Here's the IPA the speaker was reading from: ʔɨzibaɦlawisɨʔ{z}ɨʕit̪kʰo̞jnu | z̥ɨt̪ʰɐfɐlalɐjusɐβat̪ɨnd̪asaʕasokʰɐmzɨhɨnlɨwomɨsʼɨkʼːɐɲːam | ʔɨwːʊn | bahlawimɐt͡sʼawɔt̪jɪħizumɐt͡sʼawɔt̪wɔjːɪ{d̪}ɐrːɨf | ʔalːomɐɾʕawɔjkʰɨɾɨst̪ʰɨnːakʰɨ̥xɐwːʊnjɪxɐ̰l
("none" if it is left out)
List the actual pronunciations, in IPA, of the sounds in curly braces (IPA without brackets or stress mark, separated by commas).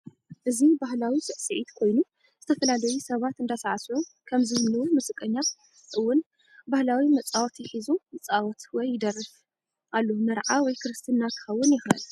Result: s, d̪